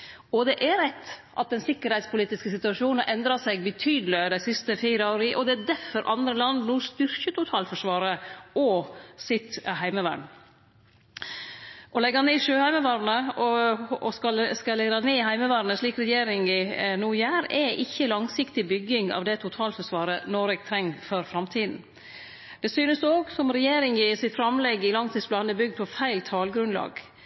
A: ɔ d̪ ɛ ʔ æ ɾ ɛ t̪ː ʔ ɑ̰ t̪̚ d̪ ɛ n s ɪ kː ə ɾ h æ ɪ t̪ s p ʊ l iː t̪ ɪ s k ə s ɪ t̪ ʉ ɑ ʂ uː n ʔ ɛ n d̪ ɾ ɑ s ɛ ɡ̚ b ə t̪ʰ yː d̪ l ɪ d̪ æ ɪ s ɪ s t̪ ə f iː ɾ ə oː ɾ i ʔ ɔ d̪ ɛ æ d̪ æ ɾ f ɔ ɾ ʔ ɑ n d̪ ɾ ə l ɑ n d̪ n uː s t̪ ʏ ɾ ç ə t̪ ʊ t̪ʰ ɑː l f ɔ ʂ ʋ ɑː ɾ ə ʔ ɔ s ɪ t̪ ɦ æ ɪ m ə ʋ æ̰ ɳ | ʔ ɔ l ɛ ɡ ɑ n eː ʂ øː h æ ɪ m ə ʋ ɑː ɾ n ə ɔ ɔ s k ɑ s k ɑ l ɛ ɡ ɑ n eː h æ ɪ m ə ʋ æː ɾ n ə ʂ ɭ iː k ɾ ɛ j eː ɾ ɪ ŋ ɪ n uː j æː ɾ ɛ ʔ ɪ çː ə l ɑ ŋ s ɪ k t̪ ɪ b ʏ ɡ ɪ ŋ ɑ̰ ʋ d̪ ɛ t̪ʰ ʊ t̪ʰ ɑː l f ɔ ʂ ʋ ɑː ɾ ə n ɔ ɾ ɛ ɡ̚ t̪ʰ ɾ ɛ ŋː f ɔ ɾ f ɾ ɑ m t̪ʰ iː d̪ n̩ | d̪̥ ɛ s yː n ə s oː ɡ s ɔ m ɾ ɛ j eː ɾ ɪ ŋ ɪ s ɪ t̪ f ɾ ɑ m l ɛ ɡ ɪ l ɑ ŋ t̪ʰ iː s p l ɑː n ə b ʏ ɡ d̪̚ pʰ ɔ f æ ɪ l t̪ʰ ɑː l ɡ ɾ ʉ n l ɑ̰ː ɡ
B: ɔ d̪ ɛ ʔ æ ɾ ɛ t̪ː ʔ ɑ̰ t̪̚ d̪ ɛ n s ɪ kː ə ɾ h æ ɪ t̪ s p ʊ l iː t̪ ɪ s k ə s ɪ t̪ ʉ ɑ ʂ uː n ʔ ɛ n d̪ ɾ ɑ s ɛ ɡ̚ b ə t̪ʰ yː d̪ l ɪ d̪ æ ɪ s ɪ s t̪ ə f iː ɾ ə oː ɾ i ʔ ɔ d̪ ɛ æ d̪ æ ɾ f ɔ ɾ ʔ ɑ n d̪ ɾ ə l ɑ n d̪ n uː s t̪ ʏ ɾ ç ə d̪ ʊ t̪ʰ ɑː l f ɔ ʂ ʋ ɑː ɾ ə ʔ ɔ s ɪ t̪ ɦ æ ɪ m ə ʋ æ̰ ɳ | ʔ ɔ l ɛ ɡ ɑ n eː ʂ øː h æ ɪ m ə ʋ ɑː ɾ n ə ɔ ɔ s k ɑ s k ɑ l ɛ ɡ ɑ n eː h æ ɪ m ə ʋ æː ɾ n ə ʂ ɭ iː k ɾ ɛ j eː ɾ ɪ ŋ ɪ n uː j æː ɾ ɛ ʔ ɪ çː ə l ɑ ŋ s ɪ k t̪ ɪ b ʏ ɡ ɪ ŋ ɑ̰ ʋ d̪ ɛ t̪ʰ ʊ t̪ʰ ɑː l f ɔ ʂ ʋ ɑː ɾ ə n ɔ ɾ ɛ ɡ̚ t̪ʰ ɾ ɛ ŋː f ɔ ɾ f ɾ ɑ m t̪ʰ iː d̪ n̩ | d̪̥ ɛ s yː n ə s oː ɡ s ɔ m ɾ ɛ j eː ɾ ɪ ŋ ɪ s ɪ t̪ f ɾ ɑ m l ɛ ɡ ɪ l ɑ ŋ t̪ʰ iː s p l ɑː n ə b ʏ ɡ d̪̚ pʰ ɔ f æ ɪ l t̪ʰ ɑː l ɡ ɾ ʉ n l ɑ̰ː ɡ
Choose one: A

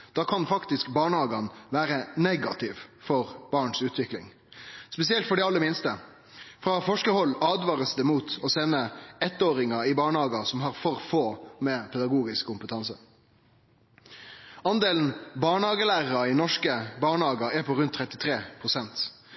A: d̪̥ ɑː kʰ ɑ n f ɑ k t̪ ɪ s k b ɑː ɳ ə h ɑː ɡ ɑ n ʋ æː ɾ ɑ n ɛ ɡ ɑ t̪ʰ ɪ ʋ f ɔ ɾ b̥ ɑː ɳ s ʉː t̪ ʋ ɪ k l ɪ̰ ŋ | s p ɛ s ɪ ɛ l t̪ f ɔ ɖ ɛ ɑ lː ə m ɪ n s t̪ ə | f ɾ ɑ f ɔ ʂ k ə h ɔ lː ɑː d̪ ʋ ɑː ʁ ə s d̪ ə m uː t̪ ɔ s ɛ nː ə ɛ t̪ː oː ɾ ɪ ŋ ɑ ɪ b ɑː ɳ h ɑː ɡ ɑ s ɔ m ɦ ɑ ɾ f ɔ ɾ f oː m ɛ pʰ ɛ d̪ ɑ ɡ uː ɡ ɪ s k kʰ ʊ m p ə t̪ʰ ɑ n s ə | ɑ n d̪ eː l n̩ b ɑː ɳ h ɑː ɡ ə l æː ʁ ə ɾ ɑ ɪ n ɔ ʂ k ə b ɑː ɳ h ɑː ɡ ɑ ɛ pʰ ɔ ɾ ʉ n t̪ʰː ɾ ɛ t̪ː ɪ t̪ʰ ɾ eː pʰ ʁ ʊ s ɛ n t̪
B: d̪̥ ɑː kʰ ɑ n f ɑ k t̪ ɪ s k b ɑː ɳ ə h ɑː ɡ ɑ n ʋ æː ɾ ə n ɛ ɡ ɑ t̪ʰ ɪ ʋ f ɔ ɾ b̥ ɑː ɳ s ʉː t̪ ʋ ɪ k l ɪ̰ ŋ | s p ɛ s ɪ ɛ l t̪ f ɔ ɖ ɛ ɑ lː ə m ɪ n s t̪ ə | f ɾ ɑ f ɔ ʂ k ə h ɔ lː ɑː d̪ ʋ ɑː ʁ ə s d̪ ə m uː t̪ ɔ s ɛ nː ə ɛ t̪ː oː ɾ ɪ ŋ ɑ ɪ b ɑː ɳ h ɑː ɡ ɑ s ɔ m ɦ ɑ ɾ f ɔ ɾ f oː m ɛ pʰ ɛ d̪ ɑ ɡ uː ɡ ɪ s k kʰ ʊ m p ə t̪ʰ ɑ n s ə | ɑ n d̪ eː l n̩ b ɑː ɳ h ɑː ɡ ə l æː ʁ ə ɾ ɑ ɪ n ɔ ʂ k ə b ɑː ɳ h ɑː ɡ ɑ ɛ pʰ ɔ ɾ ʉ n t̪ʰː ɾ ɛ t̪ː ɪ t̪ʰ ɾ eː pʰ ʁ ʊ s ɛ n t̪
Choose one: B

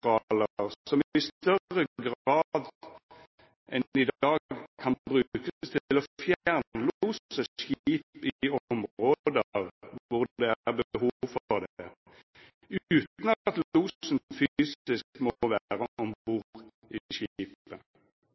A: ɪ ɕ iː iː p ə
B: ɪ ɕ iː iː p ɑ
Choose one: A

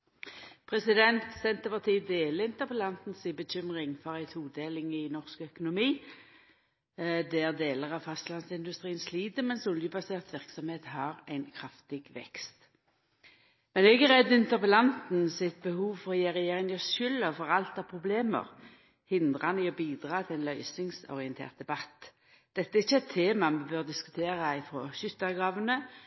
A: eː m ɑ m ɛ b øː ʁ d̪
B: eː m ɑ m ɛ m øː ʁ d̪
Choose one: A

